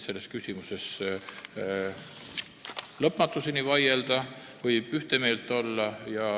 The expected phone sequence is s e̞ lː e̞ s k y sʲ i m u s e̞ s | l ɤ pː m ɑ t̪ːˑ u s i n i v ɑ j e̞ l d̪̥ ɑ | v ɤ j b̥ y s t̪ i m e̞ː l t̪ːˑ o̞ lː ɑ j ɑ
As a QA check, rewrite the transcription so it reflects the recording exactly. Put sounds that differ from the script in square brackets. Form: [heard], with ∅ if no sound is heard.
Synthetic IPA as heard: s e̞ lː e̞ s k y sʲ i m u s e̞ s | l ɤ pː m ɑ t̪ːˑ u s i n i v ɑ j e̞ l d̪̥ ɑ | v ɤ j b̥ y [h] t̪ [e] m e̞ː l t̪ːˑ o̞ lː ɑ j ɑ